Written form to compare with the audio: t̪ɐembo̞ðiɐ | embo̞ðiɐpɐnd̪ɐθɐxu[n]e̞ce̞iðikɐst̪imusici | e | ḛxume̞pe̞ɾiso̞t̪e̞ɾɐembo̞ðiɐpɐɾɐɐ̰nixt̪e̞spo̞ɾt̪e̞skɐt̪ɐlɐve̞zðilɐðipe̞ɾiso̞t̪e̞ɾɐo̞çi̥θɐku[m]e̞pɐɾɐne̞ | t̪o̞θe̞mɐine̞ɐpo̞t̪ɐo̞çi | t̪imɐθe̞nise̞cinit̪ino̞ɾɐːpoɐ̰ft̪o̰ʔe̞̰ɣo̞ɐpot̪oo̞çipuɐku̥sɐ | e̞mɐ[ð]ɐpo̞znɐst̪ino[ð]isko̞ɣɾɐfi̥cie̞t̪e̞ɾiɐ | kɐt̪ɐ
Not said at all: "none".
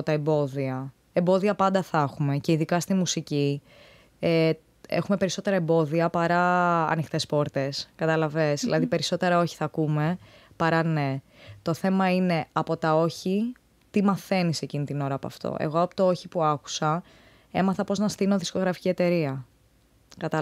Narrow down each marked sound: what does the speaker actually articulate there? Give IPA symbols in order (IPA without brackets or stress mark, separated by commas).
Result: m, m, θ, ð